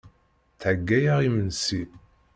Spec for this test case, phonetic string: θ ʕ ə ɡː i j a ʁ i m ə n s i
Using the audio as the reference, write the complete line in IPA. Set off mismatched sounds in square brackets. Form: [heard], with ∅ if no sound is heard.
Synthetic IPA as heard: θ ʕ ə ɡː [æ] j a ʁ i m ə n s i